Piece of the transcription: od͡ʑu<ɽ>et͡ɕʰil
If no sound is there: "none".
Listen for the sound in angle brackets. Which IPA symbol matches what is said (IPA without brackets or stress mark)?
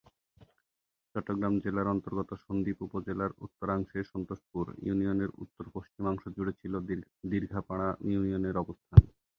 ɽ